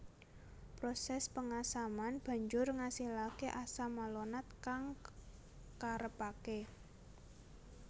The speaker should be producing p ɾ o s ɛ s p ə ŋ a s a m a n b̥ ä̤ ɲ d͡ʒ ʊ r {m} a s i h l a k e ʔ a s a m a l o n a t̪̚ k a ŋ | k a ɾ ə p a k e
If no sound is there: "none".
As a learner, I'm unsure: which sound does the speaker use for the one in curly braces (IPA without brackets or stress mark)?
ŋ